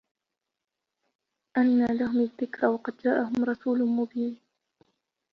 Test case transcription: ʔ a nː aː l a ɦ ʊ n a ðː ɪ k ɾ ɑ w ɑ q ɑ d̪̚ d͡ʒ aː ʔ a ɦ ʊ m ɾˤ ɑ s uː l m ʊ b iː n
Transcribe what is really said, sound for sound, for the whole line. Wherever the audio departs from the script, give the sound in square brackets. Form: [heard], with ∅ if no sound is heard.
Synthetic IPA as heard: ʔ a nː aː l a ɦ ʊ [m] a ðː ɪ k ɾ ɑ w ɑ q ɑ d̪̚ d͡ʒ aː ʔ a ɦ ʊ m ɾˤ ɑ s uː l m ʊ b iː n